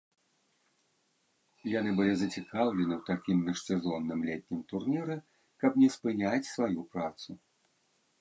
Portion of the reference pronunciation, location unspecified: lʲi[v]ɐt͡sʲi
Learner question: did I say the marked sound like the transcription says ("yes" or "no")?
no